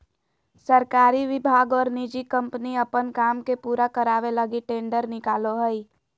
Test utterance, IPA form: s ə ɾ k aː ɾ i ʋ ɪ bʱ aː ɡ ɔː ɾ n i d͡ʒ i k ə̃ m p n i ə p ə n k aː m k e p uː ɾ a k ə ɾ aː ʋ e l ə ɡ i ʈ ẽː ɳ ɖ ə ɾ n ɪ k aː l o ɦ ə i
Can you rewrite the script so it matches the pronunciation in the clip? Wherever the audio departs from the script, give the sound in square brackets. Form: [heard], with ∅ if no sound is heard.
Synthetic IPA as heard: s ə ɾ k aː ɾ i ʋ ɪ bʱ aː ɡ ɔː ɾ n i d͡ʒ i k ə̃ m p n i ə p ə n k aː m k e p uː ɾ a k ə ɾ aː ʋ e l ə ɡ i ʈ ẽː ɳ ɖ ə ɾ n ɪ k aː l o ɦ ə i